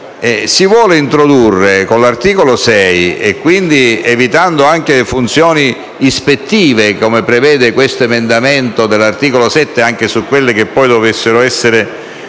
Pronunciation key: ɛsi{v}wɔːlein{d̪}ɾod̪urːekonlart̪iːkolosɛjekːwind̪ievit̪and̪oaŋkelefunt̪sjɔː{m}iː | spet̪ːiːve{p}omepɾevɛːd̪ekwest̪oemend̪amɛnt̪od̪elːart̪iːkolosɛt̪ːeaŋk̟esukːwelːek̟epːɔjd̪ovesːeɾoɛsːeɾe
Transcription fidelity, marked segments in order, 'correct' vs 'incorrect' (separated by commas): correct, incorrect, incorrect, incorrect